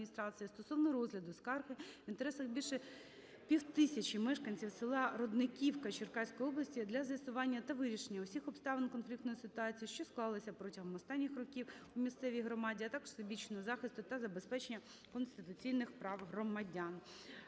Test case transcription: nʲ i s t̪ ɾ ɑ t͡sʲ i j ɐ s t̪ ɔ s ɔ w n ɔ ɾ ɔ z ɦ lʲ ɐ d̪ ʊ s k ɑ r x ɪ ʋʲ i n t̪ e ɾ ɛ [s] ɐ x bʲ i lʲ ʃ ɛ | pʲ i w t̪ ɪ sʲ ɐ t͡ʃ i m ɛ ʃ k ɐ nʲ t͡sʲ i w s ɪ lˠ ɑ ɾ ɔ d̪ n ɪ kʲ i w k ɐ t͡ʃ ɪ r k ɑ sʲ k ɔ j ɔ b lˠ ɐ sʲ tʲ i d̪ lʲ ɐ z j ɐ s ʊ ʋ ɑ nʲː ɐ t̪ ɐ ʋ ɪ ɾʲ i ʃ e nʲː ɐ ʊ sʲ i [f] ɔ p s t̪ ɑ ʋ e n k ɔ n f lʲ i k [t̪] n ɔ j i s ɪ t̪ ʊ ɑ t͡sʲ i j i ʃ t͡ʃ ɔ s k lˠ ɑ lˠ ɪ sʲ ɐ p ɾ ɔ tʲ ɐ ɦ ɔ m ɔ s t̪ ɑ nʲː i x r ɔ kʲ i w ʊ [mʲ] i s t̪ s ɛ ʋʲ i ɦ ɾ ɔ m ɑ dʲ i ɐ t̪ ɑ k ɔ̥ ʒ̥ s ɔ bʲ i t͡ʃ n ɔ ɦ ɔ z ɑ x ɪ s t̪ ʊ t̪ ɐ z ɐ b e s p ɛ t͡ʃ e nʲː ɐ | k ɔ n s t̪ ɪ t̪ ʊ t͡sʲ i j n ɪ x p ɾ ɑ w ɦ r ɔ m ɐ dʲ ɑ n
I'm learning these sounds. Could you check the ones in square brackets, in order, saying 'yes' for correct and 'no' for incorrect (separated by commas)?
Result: yes, no, yes, yes